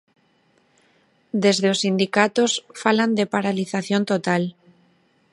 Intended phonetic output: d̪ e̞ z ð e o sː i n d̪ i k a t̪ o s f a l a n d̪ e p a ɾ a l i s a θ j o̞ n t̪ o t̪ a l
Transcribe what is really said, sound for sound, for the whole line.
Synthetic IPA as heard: d̪ e̞ z ð e o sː i n d̪ i k a t̪ o s f a l a n d̪ e p a ɾ a l i θ a θ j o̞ n t̪ o t̪ a l